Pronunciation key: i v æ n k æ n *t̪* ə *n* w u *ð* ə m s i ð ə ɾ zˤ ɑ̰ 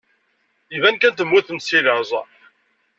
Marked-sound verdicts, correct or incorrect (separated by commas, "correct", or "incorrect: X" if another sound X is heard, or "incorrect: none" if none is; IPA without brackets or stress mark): correct, incorrect: m, incorrect: θ